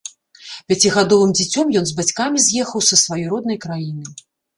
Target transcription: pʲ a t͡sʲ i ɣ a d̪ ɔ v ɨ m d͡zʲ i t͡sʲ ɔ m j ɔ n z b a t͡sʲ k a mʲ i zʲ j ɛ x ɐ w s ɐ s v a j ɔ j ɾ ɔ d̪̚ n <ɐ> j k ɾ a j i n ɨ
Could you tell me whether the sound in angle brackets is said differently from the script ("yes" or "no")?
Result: no